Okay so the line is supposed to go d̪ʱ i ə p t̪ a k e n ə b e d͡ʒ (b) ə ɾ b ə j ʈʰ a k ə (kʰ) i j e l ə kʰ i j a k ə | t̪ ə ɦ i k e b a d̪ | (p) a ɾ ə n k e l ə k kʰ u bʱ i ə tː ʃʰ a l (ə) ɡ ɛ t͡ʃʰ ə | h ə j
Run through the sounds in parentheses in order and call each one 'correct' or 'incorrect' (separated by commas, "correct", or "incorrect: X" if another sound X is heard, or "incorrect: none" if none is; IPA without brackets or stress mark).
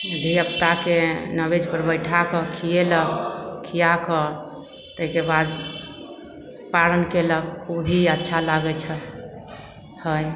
incorrect: p, correct, correct, incorrect: a